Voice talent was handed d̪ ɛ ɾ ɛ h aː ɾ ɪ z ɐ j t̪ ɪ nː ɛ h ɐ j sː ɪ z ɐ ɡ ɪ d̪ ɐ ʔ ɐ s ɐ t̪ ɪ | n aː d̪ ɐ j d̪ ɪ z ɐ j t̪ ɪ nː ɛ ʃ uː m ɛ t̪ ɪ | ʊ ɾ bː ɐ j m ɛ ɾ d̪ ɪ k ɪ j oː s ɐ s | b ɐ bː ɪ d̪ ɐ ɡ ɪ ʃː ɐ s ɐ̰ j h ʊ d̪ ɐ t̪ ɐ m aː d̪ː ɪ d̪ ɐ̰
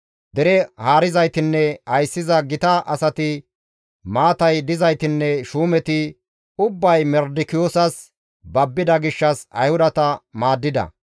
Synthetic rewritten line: d̪ ɛ ɾ ɛ h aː ɾ ɪ z ɐ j t̪ ɪ nː ɛ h ɐ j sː ɪ z ɐ ɡ ɪ t̪ ɐ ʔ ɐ s ɐ t̪ ɪ | m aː t̪ ɐ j d̪ ɪ z ɐ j t̪ ɪ nː ɛ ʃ uː m ɛ t̪ ɪ | ʊ bː ɐ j m ɛ ɾ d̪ ɪ k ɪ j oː s ɐ s | b ɐ bː ɪ d̪ ɐ ɡ ɪ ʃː ɐ s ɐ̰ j h ʊ d̪ ɐ t̪ ɐ m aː d̪ː ɪ d̪ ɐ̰